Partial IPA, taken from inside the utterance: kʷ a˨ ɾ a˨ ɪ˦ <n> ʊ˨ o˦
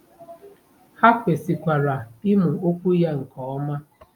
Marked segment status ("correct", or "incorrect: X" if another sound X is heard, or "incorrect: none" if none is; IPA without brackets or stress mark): incorrect: m